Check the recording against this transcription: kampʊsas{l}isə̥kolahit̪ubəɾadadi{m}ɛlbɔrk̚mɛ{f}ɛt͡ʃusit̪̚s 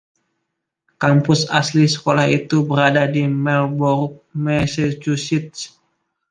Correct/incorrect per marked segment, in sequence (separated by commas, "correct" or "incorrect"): correct, correct, incorrect